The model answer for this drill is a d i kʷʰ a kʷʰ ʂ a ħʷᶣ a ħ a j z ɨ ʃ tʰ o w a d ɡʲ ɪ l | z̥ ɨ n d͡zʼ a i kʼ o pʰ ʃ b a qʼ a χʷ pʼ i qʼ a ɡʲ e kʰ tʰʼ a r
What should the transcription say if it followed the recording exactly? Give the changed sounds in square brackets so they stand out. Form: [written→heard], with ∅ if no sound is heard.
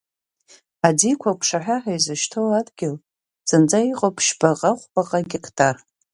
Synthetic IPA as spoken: a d i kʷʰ a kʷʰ ʂ a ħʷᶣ a ħ a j z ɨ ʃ tʰ o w a d ɡʲ ɪ l | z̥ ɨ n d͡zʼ a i [kʼ→qʼ] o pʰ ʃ b a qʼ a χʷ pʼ [i→a] qʼ a ɡʲ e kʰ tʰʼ a r